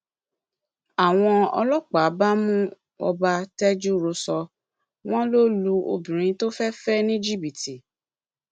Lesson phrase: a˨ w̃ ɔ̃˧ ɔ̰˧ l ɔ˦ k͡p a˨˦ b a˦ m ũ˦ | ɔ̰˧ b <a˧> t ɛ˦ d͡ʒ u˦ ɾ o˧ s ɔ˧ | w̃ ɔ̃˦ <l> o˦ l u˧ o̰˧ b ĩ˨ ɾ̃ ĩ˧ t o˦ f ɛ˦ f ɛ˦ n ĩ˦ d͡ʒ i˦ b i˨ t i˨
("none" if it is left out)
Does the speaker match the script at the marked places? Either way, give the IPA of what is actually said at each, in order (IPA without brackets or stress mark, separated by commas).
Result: a˧, l